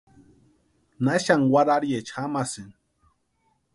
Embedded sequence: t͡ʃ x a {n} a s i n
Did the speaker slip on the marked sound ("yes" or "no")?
yes